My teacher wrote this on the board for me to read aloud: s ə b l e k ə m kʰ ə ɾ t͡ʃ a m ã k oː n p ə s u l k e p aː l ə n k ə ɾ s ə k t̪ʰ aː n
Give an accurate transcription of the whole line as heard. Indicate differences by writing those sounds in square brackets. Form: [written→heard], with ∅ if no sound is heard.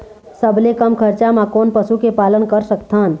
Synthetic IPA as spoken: s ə b l e k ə m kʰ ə ɾ t͡ʃ a m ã k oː n p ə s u [l→∅] k e p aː l ə n k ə ɾ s ə k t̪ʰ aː n

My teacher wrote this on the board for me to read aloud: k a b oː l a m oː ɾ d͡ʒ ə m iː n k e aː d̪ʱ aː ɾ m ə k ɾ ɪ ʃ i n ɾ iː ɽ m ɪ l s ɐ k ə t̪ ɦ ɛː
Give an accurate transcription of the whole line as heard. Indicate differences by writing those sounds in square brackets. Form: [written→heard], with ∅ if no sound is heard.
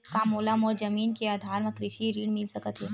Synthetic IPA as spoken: k a [b→m] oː l a m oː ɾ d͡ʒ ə m iː n k e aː d̪ʱ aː ɾ m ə k ɾ ɪ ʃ i [n→∅] ɾ iː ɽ m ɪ l s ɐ k ə t̪ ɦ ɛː

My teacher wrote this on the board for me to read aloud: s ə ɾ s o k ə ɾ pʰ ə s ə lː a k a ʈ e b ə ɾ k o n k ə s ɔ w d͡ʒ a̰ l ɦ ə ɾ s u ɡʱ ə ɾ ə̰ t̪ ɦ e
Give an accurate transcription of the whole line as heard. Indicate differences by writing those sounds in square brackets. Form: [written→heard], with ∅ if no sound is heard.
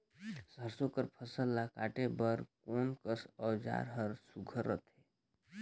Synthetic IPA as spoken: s ə ɾ s o k ə ɾ pʰ ə s ə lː a k a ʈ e b ə ɾ k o n k ə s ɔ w d͡ʒ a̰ [l→ɾ] ɦ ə ɾ s u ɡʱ ə ɾ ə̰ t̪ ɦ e

